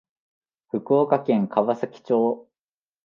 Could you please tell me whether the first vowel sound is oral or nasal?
oral